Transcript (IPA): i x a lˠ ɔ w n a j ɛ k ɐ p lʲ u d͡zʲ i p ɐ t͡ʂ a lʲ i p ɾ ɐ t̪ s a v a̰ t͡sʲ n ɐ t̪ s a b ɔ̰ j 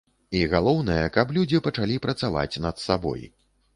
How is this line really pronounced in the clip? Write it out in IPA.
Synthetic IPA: i ɣ a lˠ ɔ w n ɐ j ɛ k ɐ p lʲ u d͡zʲ i p ɐ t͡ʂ a lʲ i p ɾ ɐ t̪ s a v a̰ t͡sʲ n ɐ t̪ s a b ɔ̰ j